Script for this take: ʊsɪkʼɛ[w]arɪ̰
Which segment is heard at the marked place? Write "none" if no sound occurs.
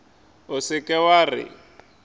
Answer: w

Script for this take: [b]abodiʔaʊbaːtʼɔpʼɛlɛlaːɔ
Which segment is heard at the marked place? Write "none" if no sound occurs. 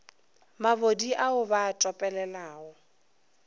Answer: m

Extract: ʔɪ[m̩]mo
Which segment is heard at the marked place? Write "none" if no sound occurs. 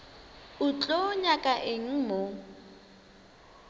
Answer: ŋ̩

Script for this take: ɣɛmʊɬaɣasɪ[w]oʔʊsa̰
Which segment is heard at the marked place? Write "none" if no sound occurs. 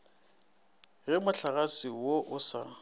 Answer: w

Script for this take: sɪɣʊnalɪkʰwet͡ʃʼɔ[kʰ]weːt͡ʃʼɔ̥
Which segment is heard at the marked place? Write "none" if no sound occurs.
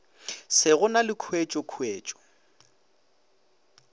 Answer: kʰ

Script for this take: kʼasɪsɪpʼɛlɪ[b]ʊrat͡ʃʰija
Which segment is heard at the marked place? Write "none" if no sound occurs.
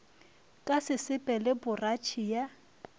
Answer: b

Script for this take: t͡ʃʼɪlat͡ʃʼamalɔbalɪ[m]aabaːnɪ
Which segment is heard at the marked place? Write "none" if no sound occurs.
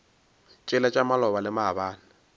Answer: m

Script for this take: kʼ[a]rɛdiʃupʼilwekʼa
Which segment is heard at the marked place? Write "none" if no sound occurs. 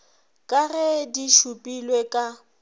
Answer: a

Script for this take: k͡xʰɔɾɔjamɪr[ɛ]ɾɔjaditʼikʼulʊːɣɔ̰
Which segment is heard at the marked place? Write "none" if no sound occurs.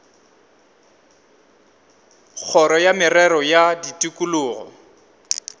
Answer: ɛ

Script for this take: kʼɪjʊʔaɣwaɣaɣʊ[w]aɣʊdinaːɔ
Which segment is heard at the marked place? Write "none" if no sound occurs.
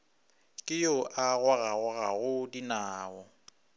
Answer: ɣ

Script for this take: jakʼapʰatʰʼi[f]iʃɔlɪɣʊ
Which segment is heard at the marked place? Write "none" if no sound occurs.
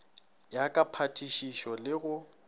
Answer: ʃ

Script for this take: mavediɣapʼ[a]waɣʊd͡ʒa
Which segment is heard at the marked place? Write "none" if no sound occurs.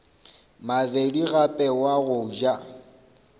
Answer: ɛ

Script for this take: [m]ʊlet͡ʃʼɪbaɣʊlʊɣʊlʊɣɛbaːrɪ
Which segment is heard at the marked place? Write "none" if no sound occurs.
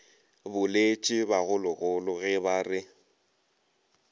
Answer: b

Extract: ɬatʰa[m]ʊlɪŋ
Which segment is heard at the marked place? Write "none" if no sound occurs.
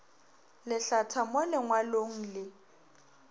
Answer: m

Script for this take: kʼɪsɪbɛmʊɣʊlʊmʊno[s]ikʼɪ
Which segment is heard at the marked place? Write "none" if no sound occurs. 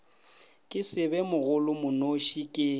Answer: ʃ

